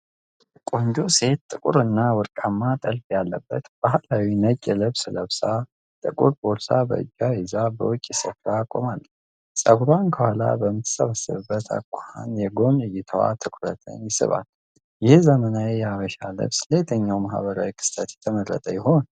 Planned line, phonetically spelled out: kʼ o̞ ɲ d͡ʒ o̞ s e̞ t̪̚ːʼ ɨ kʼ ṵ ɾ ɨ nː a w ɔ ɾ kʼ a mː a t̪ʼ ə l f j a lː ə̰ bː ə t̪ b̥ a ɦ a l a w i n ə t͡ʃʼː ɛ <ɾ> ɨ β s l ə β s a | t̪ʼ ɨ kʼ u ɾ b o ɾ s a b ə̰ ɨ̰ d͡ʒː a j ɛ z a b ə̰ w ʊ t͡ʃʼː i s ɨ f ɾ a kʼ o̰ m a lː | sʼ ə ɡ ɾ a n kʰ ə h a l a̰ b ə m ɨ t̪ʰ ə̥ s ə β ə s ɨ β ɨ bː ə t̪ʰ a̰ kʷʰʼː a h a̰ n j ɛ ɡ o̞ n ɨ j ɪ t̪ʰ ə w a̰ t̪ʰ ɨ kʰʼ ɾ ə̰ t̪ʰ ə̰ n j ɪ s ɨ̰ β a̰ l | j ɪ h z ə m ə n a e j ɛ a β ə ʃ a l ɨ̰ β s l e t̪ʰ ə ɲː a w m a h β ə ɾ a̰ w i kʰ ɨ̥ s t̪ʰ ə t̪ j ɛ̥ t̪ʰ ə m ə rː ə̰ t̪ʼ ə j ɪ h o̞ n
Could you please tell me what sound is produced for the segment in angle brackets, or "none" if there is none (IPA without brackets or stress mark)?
l